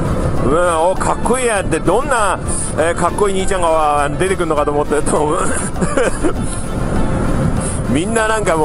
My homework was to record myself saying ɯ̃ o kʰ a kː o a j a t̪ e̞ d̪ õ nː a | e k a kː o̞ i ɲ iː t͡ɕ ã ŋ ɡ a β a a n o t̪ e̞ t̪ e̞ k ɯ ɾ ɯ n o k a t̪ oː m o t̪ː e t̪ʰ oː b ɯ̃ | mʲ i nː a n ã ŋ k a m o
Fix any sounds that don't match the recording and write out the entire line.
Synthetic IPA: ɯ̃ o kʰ a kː o i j a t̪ e̞ d̪ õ nː a | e k a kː o̞ i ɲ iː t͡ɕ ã ŋ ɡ a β a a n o d̪ e̞ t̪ e̞ k ɯ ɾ ɯ n o k a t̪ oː m o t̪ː e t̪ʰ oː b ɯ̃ | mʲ i nː a n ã ŋ k a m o